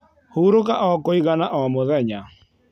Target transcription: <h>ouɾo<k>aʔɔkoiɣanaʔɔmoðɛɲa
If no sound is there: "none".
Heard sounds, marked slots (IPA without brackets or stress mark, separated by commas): h, k